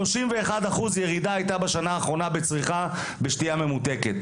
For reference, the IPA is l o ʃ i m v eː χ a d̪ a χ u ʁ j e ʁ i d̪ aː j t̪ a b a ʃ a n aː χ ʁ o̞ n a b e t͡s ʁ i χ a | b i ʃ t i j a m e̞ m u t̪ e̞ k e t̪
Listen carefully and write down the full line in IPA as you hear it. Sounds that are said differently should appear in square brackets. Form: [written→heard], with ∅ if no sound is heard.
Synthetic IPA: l o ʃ i m v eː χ a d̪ a χ u [ʁ→z] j e ʁ i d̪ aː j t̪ a b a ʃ a n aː χ ʁ o̞ n a b e t͡s ʁ i χ a | b [i→e] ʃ t i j a m e̞ m u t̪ e̞ k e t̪